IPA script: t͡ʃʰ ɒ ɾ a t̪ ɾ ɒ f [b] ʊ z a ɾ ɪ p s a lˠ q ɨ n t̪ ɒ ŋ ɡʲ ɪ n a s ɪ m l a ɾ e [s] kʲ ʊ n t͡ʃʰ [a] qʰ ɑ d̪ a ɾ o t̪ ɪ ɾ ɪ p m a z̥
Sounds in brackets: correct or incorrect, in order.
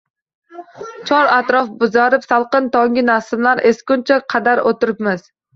correct, correct, correct

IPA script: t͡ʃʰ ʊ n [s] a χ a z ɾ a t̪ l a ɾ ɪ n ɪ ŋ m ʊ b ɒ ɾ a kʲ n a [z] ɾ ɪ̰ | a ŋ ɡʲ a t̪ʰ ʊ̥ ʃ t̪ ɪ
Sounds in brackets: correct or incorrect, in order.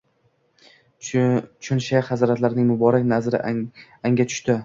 incorrect, correct

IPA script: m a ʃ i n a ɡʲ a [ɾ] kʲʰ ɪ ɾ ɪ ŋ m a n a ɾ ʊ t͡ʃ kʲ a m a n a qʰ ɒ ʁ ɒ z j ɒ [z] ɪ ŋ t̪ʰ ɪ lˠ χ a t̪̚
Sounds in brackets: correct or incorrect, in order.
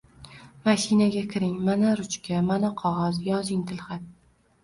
incorrect, correct

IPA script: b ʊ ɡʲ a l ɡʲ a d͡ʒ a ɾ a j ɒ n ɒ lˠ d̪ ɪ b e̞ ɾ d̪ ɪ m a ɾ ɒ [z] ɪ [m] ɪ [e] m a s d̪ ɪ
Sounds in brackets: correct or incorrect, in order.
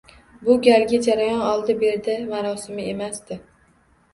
incorrect, correct, correct

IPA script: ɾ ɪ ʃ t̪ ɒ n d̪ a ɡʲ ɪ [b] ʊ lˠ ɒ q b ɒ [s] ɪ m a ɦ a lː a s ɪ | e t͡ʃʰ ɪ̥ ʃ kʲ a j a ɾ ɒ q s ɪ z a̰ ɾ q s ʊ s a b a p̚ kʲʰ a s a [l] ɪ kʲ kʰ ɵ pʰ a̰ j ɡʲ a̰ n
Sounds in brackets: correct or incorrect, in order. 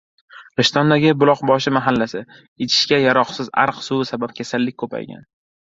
correct, incorrect, incorrect

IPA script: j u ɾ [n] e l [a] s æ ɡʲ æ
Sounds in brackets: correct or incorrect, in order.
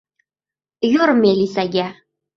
incorrect, incorrect

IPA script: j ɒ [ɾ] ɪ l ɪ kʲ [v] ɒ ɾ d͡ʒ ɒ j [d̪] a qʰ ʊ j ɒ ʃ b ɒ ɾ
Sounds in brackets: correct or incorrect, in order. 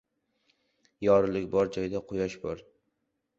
correct, incorrect, correct

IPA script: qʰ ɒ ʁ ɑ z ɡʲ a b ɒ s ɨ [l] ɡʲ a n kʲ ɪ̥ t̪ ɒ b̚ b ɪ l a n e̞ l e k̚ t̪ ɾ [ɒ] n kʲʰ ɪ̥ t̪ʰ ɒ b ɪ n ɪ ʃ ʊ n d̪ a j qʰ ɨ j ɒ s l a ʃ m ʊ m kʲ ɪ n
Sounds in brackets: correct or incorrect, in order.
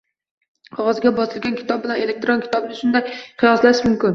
correct, incorrect

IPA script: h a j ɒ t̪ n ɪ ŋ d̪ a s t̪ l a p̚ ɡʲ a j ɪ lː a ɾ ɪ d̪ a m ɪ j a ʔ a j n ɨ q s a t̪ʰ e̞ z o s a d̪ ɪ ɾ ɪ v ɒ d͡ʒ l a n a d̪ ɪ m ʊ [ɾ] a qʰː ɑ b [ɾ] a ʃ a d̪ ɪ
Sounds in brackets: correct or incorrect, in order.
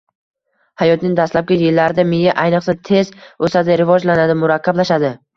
correct, incorrect

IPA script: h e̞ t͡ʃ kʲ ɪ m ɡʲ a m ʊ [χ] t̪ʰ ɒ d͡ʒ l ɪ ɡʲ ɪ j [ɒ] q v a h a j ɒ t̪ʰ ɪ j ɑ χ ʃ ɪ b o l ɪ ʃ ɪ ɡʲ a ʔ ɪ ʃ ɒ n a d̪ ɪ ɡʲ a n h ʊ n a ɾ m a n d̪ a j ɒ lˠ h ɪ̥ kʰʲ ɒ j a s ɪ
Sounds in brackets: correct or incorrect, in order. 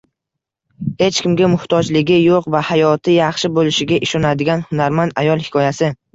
incorrect, incorrect

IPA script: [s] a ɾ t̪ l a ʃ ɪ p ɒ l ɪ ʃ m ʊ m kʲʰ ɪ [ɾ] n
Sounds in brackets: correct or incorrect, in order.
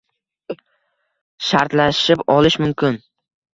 incorrect, incorrect

